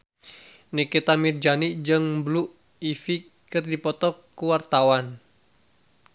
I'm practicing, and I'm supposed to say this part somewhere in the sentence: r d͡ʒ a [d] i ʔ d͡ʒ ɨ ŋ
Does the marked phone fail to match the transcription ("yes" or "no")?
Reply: yes